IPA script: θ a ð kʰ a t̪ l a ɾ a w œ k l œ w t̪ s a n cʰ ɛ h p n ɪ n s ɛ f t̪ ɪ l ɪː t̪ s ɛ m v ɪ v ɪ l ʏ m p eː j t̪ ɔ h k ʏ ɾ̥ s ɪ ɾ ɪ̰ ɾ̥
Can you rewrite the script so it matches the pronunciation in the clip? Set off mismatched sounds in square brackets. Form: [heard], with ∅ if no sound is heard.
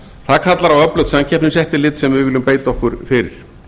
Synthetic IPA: θ a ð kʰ a t̪ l a ɾ a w œ [p] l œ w t̪ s a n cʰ ɛ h p n ɪ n s ɛ [h] t̪ ɪ l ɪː t̪ s ɛ m v ɪ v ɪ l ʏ m p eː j t̪ ɔ h k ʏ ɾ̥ [f] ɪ ɾ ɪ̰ ɾ̥